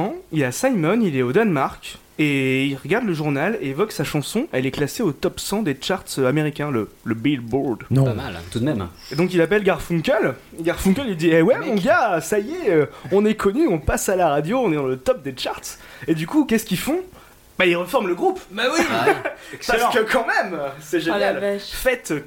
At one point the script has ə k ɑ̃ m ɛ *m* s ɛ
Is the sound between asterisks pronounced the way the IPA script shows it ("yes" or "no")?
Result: yes